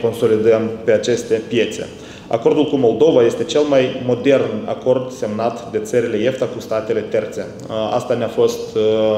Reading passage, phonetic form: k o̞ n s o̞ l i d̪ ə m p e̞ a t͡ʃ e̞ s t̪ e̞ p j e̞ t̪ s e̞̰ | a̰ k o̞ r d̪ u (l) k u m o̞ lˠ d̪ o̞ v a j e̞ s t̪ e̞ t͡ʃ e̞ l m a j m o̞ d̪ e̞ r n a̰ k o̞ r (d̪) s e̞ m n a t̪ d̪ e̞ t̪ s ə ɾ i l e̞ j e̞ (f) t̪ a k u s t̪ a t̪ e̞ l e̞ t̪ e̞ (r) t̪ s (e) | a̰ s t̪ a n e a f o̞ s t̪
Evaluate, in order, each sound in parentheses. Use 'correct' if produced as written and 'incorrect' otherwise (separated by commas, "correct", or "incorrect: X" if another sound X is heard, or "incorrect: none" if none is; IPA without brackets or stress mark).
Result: correct, correct, correct, correct, correct